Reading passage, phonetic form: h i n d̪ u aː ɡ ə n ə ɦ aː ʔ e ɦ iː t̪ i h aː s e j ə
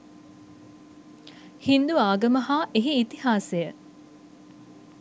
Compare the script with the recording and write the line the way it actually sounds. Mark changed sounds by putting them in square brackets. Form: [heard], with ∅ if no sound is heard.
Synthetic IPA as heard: h i n d̪ u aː ɡ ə [m] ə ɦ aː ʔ e ɦ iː t̪ i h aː s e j ə